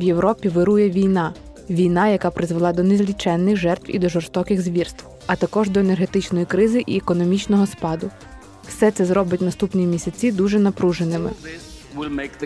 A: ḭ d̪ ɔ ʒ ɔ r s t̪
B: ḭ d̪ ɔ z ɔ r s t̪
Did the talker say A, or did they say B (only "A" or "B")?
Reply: A